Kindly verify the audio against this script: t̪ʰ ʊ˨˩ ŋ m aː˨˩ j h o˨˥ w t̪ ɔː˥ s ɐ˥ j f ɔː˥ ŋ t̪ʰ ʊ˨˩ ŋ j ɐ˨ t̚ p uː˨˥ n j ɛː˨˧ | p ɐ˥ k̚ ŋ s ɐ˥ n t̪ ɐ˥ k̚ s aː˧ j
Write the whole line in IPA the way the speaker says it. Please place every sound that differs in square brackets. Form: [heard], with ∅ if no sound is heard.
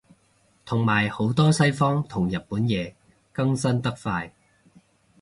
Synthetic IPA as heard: t̪ʰ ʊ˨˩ ŋ m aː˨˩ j h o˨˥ w t̪ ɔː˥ s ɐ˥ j f ɔː˥ ŋ t̪ʰ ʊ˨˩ ŋ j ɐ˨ t̚ p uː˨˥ n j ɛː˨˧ | [k] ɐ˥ [∅] ŋ s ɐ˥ n t̪ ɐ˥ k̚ [f] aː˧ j